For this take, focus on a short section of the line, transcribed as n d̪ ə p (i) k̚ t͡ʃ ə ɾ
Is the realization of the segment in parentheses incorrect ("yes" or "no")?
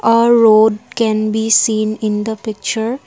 yes